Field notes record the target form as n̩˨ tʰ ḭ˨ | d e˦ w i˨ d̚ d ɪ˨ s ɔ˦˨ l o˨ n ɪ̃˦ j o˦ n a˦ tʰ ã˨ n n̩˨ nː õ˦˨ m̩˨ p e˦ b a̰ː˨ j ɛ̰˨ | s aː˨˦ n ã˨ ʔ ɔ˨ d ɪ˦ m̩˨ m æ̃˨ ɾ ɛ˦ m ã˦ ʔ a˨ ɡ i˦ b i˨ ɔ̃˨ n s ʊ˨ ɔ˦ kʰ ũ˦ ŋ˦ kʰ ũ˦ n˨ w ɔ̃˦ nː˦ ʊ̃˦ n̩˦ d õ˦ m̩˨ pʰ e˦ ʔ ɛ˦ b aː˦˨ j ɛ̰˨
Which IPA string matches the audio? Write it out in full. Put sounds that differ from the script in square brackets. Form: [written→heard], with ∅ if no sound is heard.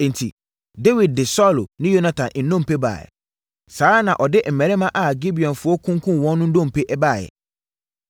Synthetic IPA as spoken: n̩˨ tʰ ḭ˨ | d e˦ w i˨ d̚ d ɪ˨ s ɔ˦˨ l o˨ n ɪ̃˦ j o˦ n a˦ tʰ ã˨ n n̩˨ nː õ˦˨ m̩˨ p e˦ b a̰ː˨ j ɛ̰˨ | s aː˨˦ n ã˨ ʔ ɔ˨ d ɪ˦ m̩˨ m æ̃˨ ɾ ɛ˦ m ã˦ ʔ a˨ ɡ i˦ b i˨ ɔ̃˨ n [s→f] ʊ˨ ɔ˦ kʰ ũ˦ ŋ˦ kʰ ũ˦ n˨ w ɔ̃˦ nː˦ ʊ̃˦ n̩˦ d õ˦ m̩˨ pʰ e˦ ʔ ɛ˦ b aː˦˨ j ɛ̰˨